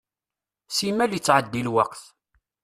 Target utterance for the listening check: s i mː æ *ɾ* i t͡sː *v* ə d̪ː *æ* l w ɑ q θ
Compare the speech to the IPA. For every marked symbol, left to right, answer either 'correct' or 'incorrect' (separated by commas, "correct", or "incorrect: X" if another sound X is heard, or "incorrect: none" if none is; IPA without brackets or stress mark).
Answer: incorrect: l, incorrect: ʕ, incorrect: i